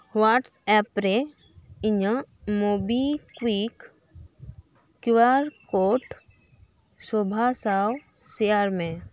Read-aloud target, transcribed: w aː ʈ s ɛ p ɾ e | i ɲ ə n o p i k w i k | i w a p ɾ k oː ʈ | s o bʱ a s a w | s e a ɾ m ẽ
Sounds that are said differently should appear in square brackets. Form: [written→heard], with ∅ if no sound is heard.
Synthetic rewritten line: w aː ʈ s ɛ p ɾ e | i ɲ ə [n→m] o [p→b] i k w i k | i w a [p→∅] ɾ k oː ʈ | s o bʱ a s a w | s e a ɾ m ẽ